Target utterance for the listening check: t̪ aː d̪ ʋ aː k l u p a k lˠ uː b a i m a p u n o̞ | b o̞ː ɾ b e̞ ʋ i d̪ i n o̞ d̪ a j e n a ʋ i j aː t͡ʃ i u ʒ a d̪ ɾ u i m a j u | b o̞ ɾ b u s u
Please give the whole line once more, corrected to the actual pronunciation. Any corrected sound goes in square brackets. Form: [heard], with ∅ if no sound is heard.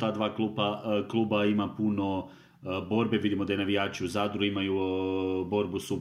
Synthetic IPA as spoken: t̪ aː d̪ ʋ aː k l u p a k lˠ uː b a i m a p u n o̞ | b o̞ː ɾ b e̞ ʋ i d̪ i [m] o̞ d̪ a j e n a ʋ i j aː t͡ʃ i u [z] a d̪ ɾ u i m a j u | b o̞ ɾ b u s u